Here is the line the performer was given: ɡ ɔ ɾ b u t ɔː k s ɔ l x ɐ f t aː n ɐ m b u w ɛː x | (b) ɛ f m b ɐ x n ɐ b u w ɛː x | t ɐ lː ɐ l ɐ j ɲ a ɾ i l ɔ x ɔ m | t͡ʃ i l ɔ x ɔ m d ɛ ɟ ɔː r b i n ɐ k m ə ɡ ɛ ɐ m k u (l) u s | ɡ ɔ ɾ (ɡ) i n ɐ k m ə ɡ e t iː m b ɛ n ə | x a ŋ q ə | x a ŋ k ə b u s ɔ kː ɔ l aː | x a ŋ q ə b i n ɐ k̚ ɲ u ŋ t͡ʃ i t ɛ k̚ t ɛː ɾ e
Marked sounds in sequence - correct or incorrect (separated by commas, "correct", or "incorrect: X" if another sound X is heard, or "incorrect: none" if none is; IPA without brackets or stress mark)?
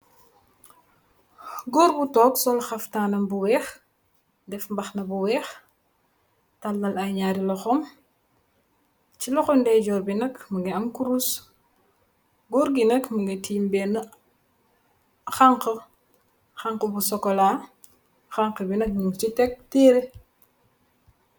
incorrect: d, incorrect: ɾ, correct